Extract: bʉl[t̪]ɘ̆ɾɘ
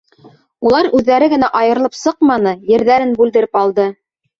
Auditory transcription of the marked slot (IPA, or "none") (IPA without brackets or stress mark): d̪